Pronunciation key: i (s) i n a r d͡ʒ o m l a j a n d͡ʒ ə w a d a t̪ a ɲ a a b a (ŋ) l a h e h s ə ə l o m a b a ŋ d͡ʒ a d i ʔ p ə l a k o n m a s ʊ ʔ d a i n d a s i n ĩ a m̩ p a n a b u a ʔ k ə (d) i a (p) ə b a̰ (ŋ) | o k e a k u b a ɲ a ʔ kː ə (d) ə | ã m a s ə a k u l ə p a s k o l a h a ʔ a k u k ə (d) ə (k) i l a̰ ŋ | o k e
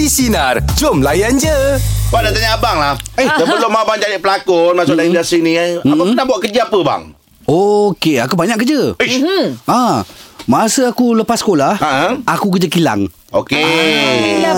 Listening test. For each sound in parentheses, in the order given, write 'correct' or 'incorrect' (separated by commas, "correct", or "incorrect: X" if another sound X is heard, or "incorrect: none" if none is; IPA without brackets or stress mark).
correct, correct, incorrect: d͡ʒ, correct, correct, incorrect: d͡ʒ, incorrect: d͡ʒ, correct